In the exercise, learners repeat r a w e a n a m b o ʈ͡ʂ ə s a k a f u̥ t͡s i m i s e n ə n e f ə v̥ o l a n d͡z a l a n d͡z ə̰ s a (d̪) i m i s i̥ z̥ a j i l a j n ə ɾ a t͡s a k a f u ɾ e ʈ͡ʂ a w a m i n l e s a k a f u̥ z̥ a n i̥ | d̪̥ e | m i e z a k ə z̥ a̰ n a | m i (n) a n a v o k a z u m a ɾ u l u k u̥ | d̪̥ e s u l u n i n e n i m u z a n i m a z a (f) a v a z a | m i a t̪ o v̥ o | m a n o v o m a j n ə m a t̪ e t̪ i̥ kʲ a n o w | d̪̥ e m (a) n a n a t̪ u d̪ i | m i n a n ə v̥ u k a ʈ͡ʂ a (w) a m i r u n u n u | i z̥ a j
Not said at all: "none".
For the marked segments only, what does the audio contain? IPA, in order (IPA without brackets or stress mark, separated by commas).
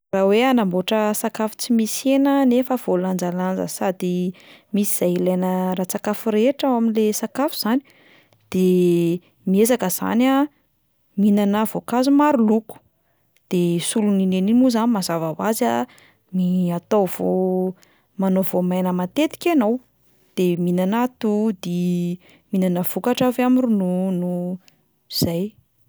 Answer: d̪, n, v, i, v